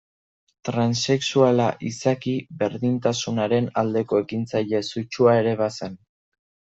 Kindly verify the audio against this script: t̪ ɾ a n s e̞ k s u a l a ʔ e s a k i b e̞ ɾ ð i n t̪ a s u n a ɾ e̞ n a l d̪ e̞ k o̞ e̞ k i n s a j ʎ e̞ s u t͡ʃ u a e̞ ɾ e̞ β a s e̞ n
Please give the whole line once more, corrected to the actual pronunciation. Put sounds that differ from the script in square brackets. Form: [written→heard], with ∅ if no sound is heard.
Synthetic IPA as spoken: t̪ ɾ a n s e̞ k s u a l a ʔ [e→i] s a k i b e̞ ɾ ð i n t̪ a s u n a ɾ e̞ n a l d̪ e̞ k o̞ e̞ k i n [s→t͡s] a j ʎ e̞ s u t͡ʃ u a e̞ ɾ e̞ β a s e̞ n